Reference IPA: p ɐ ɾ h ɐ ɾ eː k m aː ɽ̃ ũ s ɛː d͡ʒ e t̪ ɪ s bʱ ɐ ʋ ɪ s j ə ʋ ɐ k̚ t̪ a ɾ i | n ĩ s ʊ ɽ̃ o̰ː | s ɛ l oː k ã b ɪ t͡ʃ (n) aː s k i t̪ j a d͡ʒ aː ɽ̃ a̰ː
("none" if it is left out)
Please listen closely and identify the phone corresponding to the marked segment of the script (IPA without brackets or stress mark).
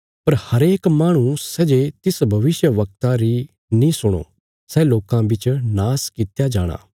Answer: n